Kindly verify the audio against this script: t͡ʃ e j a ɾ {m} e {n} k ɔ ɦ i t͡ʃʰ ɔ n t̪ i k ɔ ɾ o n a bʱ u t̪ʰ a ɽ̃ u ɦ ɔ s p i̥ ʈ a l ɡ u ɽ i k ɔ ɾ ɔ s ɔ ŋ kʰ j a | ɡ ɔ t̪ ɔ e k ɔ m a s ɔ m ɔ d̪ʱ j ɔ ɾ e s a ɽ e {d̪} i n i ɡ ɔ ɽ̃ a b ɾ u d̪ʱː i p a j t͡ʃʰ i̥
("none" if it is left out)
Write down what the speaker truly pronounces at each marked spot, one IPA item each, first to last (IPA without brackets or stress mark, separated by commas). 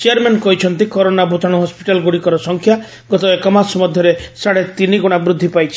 m, n, t̪